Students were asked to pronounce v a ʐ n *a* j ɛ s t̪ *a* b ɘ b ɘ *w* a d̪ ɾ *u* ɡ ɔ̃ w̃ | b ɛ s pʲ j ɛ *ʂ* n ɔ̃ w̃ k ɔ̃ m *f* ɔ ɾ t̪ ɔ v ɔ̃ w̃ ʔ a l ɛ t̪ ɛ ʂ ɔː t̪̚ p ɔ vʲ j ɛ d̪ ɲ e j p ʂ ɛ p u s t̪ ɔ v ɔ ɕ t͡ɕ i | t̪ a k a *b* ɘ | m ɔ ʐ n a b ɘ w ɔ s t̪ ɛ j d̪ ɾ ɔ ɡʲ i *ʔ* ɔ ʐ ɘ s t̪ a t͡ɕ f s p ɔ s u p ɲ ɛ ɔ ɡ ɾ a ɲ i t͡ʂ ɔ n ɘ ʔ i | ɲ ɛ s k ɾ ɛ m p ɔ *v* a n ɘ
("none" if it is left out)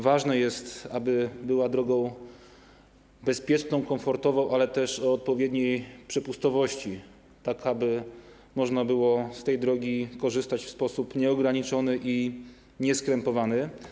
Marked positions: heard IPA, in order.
ɛ, a, w, ɔ, t͡ʂ, f, b, k, v

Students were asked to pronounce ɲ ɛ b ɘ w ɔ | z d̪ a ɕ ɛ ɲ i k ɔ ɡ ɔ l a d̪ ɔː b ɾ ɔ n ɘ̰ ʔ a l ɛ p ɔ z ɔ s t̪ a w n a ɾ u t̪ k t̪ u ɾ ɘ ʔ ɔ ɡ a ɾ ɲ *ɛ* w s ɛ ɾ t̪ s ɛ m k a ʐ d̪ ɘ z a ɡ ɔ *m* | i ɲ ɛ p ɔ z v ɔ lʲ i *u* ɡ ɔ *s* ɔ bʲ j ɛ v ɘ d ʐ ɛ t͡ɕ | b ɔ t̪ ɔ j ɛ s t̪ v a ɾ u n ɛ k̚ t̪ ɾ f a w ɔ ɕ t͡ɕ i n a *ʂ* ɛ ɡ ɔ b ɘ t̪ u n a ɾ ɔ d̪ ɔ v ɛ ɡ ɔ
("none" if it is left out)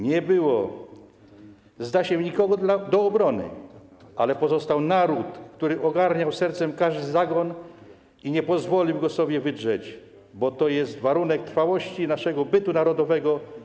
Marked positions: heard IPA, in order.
a, n, w, s, ʂ

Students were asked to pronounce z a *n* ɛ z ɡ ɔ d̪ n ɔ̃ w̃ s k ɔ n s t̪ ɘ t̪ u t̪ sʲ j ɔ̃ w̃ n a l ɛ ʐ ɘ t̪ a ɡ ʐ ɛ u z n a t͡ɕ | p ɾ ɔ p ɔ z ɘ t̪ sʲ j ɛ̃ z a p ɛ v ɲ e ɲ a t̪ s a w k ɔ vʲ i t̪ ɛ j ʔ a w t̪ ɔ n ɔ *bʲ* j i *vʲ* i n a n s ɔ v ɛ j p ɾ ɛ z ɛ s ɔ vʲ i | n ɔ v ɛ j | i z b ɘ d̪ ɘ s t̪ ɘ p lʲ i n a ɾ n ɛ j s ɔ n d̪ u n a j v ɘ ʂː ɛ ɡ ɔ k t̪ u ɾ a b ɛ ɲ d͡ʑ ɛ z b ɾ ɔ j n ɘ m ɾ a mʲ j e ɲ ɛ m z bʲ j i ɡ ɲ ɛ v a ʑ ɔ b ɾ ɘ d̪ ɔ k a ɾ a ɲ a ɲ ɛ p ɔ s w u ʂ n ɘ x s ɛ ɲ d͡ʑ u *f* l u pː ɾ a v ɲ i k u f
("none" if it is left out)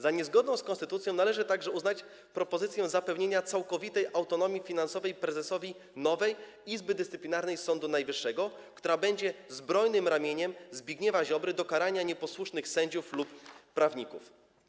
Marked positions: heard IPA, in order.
ɲ, mʲ, fʲ, f

